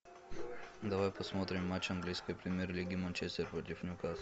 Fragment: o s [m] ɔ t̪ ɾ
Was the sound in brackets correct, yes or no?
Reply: yes